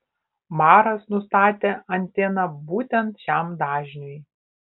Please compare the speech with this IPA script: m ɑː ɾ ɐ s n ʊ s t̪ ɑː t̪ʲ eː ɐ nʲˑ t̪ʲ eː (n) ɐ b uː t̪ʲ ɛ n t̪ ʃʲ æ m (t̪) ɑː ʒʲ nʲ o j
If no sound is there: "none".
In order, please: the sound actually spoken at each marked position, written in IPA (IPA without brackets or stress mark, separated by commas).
n, d̪